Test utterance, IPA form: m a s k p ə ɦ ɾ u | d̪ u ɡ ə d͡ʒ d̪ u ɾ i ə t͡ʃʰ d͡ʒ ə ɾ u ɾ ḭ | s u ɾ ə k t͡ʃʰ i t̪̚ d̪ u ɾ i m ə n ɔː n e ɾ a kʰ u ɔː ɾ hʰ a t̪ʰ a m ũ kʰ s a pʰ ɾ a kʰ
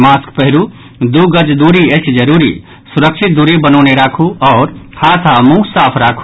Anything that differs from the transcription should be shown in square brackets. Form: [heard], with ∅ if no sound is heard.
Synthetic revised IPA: m a s k p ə ɦ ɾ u | d̪ u ɡ ə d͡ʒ d̪ u ɾ i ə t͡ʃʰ d͡ʒ ə ɾ u ɾ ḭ | s u ɾ ə k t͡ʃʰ i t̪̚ d̪ u ɾ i [b] ə n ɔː n e ɾ a kʰ u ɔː ɾ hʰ a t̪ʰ a m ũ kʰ s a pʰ ɾ a kʰ

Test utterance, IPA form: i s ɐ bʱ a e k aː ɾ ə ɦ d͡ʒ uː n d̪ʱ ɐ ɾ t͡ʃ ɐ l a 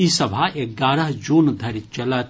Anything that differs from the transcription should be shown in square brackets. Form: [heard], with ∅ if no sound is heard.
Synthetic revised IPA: i s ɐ bʱ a e [ɡ] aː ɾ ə ɦ d͡ʒ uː n d̪ʱ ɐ ɾ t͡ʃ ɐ l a

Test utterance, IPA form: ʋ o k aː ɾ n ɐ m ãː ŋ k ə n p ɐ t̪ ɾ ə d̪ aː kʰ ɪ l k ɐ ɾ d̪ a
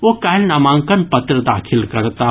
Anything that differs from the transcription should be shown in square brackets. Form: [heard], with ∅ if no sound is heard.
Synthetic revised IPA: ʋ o k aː [l] n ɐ m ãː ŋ k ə n p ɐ t̪ ɾ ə d̪ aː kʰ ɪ l k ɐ ɾ [t̪] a

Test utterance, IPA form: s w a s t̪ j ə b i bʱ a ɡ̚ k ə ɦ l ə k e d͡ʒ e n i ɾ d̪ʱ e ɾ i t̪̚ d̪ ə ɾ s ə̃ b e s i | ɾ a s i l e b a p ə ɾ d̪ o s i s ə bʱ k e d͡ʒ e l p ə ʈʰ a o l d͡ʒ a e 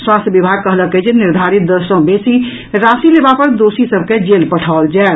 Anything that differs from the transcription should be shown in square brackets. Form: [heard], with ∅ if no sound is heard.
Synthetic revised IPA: s w a s t̪ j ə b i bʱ a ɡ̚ k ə ɦ l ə k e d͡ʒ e n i ɾ d̪ʱ [a] ɾ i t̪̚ d̪ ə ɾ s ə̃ b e s i | ɾ a s i l e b a p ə ɾ d̪ o s i s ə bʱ k e d͡ʒ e l p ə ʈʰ a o l d͡ʒ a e

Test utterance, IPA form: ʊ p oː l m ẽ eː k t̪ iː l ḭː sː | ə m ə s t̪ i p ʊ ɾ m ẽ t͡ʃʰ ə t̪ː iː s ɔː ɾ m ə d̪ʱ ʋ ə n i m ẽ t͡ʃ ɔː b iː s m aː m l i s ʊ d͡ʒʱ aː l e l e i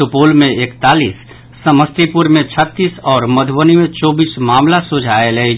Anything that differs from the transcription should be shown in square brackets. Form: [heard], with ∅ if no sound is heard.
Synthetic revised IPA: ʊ p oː l m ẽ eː k t̪ [aː] l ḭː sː | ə m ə s t̪ i p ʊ ɾ m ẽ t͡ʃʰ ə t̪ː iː s ɔː ɾ m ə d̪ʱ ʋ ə n i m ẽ t͡ʃ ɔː b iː s m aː m l [a] s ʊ d͡ʒʱ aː [∅] e l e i

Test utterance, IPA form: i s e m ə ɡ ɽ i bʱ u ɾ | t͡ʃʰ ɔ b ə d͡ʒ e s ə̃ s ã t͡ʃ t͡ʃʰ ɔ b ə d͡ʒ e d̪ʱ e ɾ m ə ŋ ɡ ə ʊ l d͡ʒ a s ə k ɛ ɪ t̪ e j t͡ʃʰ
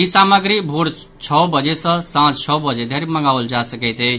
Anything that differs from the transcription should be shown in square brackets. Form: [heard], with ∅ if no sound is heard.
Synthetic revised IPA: i s [a] m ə ɡ [ɾ] i bʱ u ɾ | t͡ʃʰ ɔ b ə d͡ʒ e s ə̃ s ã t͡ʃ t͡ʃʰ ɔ b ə d͡ʒ e d̪ʱ e ɾ m ə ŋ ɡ [a] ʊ l d͡ʒ a s ə k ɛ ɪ t̪ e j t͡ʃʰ

